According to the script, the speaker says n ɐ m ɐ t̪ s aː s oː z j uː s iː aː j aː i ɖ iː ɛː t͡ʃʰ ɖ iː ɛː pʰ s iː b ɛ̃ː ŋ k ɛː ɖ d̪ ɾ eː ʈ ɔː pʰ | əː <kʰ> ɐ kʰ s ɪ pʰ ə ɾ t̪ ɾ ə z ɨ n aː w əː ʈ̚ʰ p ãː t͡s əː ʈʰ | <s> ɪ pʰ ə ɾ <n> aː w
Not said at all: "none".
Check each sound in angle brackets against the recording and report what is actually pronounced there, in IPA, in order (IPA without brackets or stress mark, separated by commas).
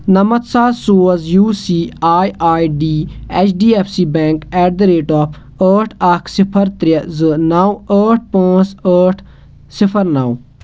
ʈʰ, s, n